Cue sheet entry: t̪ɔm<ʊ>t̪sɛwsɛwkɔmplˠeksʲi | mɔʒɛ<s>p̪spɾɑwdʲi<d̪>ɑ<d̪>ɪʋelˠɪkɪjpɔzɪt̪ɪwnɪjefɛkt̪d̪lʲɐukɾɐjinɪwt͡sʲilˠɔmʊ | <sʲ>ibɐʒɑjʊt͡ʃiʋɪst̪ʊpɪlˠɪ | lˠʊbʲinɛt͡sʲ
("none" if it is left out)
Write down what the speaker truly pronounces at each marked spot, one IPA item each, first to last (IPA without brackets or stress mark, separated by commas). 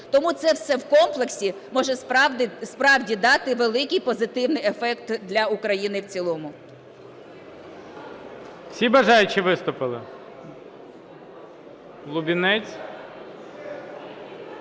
u, s, d̪, t̪, sʲ